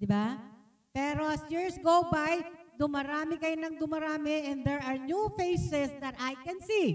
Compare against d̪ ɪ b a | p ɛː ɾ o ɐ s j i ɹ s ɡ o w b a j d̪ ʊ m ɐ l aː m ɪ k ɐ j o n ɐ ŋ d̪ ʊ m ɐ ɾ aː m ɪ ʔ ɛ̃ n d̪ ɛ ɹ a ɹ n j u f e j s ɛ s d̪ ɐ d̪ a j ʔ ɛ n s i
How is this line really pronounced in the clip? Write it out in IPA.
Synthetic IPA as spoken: d̪ ɪ b a | p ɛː ɾ o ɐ s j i ɹ s ɡ o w b a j d̪ ʊ m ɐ ɾ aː m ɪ k ɐ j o n ɐ ŋ d̪ ʊ m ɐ ɾ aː m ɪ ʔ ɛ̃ n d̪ ɛ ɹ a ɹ n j u f e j s ɛ s d̪ ɐ t̪ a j k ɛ n s i